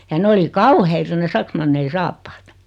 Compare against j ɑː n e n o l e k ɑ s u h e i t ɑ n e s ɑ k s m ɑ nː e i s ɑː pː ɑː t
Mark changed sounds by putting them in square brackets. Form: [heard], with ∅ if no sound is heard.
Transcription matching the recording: j [ɑ] n e [∅] o l [i] k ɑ [∅] u h e i t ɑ n e s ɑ k s m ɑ nː e i s ɑː pː ɑː t